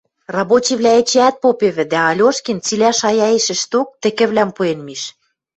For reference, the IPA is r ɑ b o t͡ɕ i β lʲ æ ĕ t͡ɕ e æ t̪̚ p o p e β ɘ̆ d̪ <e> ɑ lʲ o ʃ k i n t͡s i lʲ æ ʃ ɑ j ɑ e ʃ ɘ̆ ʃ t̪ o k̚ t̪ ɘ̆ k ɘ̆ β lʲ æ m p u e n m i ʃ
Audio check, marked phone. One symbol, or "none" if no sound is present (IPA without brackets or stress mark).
æ